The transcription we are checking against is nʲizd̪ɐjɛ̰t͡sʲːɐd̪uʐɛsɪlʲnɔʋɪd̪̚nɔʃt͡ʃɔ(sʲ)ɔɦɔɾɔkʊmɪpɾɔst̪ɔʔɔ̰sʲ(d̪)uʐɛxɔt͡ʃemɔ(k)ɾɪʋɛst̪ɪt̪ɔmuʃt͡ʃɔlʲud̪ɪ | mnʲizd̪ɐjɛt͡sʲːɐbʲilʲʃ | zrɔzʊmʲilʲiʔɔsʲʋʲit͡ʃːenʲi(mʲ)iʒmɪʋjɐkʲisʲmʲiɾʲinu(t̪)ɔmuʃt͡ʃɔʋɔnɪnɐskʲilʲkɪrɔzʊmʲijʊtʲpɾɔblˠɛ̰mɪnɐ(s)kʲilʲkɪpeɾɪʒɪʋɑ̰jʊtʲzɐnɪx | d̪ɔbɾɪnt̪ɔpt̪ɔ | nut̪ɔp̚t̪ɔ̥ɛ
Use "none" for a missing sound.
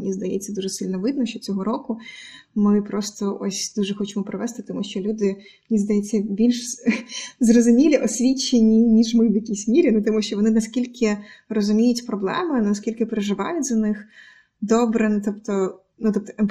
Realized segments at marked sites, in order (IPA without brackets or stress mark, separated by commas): t͡sʲ, d̪, p, nʲ, t̪, s